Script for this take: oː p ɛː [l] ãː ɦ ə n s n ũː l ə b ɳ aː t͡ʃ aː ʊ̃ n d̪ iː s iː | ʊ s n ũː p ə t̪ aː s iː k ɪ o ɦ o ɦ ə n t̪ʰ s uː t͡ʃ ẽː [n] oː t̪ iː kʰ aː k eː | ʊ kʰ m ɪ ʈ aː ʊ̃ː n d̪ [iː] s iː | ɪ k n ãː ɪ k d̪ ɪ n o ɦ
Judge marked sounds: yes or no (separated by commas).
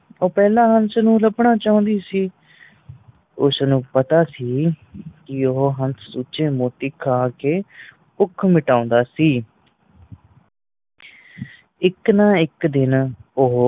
yes, no, no